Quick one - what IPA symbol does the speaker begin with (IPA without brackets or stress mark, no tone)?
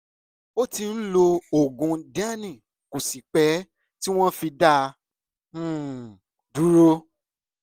o